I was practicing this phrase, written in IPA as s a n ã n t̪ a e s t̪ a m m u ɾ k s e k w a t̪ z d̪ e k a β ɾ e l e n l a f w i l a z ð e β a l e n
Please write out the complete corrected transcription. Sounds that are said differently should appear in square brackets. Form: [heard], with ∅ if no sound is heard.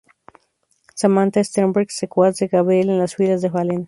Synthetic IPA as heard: s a [m] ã n t̪ a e s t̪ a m [b] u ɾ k s e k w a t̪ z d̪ e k a β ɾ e l e n l a [s] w i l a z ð e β a l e n